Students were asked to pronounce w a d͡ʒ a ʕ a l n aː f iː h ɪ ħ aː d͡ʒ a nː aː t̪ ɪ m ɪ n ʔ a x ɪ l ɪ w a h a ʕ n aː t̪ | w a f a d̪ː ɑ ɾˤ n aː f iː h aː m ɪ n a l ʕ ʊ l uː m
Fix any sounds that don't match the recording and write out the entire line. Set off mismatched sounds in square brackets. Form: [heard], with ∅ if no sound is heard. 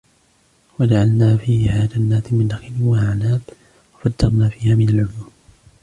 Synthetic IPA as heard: w a d͡ʒ a ʕ a l n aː f iː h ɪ [h] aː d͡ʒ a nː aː t̪ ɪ m ɪ n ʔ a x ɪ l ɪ w a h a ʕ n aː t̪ | w a f a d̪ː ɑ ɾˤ n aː f iː h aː m ɪ n a l ʕ ʊ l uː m